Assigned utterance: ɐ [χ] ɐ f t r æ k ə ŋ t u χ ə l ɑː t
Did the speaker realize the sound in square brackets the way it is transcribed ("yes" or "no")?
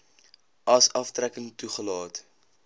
no